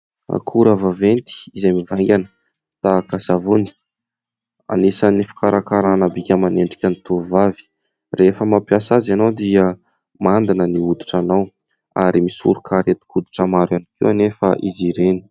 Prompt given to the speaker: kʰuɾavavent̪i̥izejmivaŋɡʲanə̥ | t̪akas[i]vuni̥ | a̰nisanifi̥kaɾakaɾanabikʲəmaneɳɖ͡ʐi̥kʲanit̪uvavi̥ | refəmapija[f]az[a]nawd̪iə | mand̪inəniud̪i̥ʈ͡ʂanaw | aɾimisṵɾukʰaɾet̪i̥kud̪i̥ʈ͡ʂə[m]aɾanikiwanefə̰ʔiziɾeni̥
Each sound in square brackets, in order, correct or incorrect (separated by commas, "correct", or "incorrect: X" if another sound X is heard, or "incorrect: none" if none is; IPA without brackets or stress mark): incorrect: a, incorrect: s, correct, correct